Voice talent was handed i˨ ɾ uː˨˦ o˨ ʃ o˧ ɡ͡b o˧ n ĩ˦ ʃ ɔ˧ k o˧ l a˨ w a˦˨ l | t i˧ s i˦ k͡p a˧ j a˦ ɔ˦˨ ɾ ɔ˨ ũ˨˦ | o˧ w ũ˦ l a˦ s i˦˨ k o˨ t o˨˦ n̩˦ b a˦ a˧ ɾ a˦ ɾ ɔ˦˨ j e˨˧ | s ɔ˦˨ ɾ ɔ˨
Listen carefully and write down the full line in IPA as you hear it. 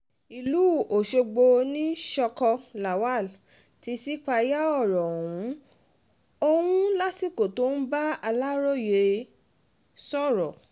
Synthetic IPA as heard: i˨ l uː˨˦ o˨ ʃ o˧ ɡ͡b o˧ n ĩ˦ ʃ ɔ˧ k ɔ˧ l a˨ w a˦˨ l | t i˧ s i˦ k͡p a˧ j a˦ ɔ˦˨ ɾ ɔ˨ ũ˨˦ | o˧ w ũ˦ l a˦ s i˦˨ k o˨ t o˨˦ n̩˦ b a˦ a˧ l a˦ ɾ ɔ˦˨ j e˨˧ | s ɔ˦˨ ɾ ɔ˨